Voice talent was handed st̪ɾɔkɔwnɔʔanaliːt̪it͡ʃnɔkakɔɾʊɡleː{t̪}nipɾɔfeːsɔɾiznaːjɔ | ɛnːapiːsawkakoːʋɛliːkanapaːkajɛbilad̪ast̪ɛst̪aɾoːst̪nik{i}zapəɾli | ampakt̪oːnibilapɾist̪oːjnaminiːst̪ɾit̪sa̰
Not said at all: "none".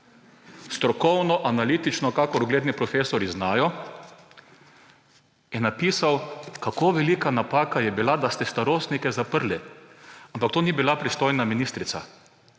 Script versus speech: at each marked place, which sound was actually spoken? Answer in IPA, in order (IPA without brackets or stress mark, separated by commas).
d̪, ɛ